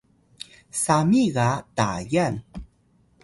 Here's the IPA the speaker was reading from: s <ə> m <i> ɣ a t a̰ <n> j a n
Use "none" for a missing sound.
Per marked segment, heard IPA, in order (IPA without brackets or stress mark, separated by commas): a, i, none